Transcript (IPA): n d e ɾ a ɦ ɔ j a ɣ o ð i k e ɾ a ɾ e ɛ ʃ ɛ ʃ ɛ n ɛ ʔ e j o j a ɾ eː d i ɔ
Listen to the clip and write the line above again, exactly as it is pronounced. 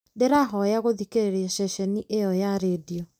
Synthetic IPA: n d e ɾ a ɦ ɔ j a ɣ o ð i k e ɾ e ɾ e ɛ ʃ ɛ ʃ ɛ n i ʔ e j ɔ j a ɾ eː d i ɔ